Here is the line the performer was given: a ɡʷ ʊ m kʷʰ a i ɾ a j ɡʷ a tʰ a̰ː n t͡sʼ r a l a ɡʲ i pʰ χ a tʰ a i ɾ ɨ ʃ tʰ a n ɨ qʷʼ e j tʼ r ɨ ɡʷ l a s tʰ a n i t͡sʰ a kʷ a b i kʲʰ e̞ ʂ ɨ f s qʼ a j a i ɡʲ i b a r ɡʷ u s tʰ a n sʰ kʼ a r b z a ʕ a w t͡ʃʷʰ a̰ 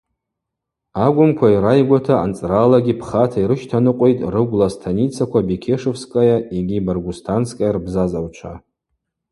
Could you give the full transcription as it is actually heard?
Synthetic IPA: a ɡʷ ʊ m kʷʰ a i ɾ a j ɡʷ a tʰ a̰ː n t͡sʼ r a l a ɡʲ i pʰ χ a tʰ a i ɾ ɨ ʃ tʰ a n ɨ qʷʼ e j tʼ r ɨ ɡʷ l a s tʰ a n i t͡sʰ a kʷ a b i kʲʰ e̞ ʂ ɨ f s kʼ a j a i ɡʲ i b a r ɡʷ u s tʰ a n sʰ kʼ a r b z a z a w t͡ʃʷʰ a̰